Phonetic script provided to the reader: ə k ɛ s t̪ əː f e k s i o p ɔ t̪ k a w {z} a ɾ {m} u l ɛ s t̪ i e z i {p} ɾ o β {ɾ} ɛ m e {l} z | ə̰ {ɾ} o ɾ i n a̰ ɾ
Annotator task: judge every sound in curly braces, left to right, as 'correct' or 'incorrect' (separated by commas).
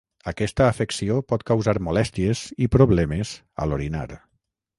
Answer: correct, correct, correct, incorrect, incorrect, incorrect